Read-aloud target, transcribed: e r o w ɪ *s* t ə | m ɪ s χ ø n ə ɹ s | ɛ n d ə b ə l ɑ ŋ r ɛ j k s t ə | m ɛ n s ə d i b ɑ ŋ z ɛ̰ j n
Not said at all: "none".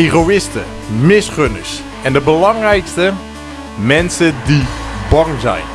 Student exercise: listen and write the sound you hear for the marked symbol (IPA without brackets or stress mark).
s